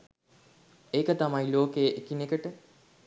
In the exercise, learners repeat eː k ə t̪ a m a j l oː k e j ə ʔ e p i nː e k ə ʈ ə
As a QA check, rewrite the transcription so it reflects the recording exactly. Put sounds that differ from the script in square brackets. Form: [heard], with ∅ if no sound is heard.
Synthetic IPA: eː k ə t̪ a m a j l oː k e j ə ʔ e [k] i [n] e k ə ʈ ə